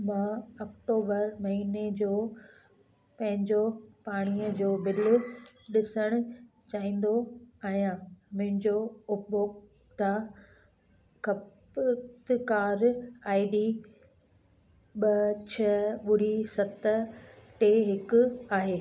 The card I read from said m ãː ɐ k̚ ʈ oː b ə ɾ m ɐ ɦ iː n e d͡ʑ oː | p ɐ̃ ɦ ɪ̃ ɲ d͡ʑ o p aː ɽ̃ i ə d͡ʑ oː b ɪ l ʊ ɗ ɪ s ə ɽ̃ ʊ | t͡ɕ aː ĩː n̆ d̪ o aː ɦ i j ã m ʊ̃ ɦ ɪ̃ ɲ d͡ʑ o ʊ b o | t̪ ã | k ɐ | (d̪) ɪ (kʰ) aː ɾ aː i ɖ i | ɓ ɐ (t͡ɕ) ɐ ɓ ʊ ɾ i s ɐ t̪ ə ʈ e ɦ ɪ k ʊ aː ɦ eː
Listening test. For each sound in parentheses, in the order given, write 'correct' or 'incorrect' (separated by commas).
incorrect, incorrect, incorrect